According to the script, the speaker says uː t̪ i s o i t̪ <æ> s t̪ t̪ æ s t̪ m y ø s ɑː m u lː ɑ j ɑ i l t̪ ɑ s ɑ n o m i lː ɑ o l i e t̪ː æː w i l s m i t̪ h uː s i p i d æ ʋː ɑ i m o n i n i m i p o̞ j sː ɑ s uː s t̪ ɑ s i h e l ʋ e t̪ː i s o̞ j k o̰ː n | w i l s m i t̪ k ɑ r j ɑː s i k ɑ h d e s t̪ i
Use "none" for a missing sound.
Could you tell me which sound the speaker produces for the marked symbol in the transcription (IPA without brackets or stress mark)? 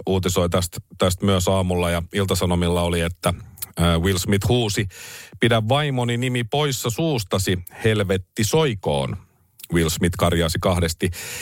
æ